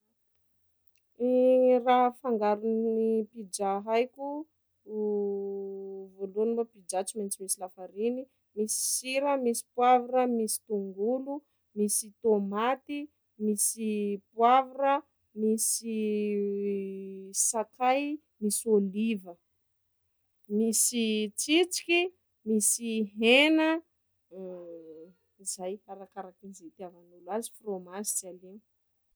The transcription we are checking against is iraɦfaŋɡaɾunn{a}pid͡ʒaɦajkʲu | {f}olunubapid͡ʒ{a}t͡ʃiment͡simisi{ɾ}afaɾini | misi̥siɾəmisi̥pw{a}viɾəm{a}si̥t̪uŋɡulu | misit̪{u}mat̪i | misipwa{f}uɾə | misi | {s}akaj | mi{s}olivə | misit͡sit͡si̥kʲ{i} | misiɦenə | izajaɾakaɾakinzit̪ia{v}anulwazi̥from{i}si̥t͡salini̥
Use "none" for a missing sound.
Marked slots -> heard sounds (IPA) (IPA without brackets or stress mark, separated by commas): i, v, a, l, a, i, o, v, s, s, i, v, a